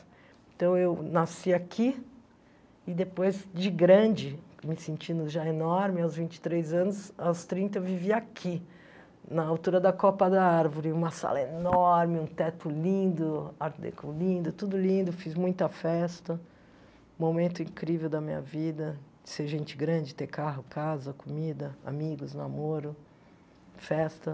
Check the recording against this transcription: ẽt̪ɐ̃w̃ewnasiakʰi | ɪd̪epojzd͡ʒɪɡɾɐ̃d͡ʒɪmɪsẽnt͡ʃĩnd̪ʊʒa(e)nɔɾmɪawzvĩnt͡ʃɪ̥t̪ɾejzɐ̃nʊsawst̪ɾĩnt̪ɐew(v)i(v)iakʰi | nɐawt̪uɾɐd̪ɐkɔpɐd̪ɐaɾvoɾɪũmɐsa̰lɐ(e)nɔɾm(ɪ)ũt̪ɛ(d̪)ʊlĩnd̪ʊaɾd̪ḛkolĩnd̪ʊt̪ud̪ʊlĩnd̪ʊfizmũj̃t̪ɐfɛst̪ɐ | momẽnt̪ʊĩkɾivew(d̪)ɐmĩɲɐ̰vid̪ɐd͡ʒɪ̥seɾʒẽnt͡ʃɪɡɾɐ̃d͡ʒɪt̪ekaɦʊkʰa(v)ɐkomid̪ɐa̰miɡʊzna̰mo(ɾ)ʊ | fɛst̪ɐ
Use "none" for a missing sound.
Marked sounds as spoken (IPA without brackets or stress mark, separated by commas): e, v, v, e, ɪ, t̪, d̪, z, ɾ